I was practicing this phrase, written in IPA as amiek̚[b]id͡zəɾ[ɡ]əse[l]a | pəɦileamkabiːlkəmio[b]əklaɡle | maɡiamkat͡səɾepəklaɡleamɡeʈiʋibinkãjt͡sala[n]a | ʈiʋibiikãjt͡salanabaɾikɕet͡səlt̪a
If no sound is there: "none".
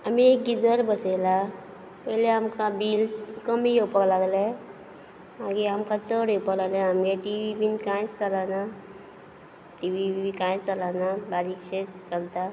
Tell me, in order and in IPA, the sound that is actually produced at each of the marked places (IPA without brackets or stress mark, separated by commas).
ɡ, b, l, p, n